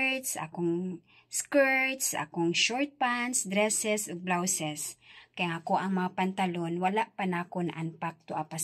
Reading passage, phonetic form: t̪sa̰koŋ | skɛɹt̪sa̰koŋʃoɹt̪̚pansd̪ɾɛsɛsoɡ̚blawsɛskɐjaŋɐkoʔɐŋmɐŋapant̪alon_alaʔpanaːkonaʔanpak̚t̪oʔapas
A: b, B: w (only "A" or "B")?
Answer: B